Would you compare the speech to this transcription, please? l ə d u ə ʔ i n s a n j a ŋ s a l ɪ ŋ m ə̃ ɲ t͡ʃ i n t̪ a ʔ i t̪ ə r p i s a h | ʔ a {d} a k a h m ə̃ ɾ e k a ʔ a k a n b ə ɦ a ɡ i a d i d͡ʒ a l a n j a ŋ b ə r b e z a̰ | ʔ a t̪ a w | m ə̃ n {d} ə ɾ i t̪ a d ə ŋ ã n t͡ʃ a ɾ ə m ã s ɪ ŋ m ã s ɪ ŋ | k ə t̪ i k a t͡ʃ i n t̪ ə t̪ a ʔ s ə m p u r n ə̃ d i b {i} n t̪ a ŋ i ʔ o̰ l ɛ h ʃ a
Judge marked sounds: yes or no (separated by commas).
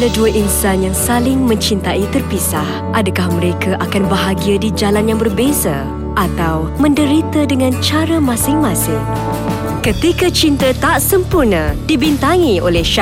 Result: yes, yes, yes